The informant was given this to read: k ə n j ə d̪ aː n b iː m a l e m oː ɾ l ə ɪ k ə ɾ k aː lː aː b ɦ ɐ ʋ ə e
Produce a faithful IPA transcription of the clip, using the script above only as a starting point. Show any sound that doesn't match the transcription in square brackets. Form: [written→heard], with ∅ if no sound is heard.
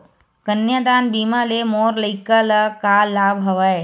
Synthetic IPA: k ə n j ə d̪ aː n b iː m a l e m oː ɾ l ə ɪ k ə [ɾ→l] k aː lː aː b ɦ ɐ ʋ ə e